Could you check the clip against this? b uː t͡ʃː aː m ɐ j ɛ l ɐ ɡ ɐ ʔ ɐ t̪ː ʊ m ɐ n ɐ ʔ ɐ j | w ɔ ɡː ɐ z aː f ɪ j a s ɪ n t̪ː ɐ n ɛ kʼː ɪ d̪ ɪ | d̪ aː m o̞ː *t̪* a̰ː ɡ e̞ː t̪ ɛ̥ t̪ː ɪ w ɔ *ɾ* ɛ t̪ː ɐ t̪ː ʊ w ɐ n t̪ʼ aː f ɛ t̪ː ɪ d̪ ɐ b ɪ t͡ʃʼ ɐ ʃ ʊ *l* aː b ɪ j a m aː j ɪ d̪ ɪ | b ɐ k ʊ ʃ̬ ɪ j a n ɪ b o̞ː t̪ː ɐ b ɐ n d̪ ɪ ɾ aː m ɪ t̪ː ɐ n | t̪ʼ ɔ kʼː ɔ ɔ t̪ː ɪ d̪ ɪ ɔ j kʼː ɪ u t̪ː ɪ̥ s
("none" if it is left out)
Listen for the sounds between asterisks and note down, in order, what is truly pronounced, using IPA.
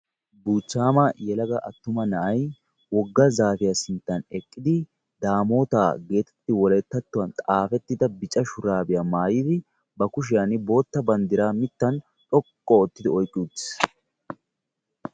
t̪, l, ɾ

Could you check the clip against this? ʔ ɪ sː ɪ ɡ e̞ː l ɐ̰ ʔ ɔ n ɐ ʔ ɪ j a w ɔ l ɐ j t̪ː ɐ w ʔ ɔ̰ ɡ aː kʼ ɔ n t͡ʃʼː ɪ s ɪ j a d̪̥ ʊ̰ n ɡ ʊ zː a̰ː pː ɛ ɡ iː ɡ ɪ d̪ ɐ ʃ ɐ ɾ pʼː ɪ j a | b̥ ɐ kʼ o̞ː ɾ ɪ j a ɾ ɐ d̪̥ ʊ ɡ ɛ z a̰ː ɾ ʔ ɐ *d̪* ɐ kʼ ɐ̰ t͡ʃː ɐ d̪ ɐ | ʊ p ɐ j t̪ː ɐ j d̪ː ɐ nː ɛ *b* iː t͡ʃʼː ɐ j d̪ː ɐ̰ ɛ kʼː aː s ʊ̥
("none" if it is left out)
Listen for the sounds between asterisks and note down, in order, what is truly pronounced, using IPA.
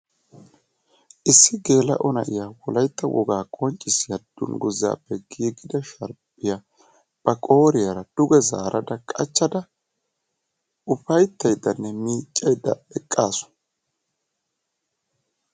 d̪, m

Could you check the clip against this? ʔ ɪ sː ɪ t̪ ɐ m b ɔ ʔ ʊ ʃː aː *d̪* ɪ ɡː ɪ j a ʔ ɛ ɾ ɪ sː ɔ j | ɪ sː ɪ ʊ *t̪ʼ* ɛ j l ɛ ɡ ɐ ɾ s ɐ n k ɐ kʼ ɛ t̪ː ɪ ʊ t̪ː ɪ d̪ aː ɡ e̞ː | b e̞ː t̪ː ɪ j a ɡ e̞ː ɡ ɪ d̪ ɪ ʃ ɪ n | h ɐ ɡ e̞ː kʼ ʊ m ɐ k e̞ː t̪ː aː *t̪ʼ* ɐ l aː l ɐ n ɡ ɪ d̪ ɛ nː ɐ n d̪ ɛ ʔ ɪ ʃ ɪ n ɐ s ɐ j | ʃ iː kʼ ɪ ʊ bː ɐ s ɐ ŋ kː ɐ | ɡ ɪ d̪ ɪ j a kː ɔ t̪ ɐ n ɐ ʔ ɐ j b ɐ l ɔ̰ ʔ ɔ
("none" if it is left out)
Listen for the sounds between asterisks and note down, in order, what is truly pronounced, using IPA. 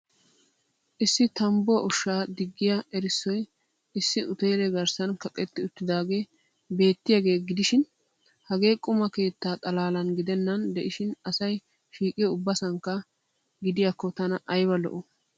d̪, t̪, t̪ʼ

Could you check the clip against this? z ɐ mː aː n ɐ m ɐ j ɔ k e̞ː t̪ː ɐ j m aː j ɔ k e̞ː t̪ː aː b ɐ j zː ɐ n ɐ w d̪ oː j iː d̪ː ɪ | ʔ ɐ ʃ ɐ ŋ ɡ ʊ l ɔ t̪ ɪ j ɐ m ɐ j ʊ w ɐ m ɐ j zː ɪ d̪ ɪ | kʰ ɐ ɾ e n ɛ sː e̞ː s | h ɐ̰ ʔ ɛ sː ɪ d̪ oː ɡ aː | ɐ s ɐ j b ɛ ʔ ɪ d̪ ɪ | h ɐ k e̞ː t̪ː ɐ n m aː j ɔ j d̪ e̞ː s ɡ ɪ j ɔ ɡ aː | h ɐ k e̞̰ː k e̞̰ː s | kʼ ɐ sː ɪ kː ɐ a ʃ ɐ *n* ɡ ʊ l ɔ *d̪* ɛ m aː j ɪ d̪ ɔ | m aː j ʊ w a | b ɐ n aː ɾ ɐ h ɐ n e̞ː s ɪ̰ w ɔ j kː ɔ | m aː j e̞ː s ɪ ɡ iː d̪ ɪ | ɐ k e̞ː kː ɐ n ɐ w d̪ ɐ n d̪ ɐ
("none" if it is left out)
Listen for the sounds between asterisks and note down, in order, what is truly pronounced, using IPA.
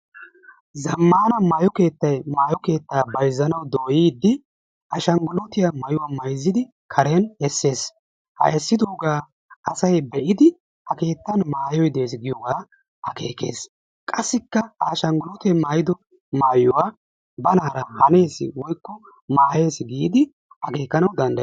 ŋ, t̪

